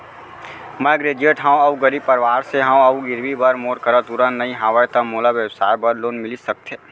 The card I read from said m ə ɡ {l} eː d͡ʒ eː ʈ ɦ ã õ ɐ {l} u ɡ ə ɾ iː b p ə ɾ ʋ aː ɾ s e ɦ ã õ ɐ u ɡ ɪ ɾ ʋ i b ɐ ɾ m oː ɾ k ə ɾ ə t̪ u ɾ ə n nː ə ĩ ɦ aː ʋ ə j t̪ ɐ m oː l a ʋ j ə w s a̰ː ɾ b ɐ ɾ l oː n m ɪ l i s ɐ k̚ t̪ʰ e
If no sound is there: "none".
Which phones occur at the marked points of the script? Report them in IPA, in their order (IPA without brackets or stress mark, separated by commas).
ɾ, none